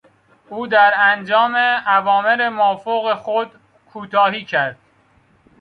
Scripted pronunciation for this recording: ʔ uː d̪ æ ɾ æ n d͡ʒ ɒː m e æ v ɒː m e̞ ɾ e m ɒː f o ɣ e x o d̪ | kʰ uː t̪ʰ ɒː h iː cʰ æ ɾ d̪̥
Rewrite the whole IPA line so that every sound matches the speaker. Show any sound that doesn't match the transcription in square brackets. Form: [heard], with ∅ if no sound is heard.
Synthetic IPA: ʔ uː d̪ æ ɾ æ n d͡ʒ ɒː m e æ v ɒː m e̞ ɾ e m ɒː f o ɣ e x o d̪ | kʰ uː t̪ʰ ɒː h iː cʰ æ ɾ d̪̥